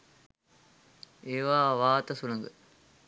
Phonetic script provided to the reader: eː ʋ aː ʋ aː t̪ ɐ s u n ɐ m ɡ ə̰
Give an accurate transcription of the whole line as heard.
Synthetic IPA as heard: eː ʋ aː ʋ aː t̪ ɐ s u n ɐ ŋ ɡ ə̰